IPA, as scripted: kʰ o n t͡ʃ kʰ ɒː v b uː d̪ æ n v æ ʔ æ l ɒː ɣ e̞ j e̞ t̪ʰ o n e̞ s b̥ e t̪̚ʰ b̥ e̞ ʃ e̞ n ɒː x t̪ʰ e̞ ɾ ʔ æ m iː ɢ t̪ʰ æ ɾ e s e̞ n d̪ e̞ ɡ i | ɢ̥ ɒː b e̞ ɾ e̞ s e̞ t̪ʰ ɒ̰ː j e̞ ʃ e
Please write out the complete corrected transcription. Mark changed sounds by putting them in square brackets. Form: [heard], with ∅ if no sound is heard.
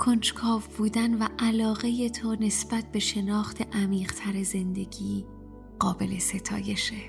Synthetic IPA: kʰ o n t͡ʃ kʰ ɒː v b uː d̪ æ n v æ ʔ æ l ɒː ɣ e̞ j e̞ t̪ʰ o n e̞ s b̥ [æ] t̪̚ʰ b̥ e̞ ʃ e̞ n ɒː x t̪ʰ e̞ [∅] ʔ æ m iː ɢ t̪ʰ æ ɾ e [z] e̞ n d̪ e̞ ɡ [iː] | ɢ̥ ɒː b e̞ [l] e̞ s e̞ t̪ʰ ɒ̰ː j e̞ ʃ e